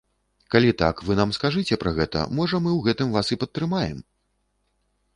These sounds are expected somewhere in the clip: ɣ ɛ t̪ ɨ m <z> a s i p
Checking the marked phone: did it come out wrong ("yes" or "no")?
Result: yes